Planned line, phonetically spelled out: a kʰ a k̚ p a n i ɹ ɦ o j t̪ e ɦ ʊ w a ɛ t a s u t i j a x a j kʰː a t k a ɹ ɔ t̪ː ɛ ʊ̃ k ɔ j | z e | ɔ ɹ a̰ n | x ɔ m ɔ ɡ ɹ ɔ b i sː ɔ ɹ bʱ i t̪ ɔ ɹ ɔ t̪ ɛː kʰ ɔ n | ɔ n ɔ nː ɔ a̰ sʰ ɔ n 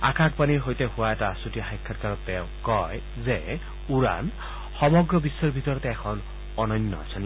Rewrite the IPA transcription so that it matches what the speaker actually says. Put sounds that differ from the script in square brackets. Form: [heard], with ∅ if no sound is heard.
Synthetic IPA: a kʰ a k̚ p a n i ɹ ɦ o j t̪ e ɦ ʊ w a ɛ t a s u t i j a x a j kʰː a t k a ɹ ɔ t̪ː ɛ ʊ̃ k ɔ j | z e | [u] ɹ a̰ n | x ɔ m ɔ ɡ ɹ ɔ b i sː ɔ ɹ bʱ i t̪ ɔ ɹ ɔ t̪ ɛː kʰ ɔ n | ɔ n ɔ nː ɔ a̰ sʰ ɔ n